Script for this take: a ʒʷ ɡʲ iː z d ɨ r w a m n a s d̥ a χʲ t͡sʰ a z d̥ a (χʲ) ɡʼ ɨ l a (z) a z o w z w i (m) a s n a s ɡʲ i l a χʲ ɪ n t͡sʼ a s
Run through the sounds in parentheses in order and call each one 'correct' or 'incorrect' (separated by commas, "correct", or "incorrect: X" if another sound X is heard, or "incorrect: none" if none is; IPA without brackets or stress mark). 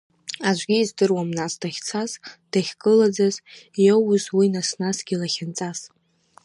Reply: correct, incorrect: d͡z, incorrect: n